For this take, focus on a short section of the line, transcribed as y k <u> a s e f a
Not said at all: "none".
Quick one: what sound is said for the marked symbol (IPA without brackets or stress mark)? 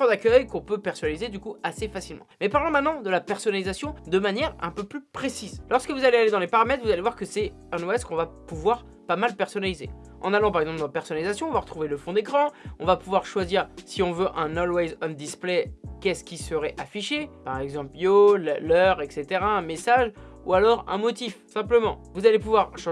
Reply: u